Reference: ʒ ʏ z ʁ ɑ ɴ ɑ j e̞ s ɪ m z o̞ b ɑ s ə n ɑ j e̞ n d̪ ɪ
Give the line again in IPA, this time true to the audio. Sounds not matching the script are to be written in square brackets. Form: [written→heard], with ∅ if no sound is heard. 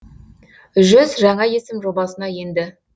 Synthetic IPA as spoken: ʒ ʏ z [ʁ→ʒ] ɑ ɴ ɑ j e̞ s ɪ m [z→ʒ] o̞ b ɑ s ə n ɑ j e̞ n d̪ ɪ